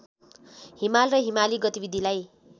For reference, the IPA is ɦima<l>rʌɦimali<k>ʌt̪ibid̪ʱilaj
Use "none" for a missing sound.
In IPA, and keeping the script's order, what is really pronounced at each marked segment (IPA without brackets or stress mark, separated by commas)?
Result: l, ɡ